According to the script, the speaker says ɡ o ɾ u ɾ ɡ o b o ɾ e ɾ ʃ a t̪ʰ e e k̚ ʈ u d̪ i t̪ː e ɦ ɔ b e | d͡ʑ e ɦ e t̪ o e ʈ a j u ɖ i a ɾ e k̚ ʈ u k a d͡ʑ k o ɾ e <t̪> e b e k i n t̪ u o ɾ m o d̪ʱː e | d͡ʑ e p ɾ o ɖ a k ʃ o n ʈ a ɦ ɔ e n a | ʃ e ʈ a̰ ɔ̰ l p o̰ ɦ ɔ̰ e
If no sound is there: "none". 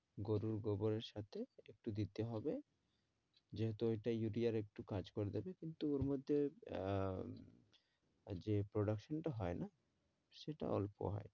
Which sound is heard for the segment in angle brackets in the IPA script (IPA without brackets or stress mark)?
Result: d̪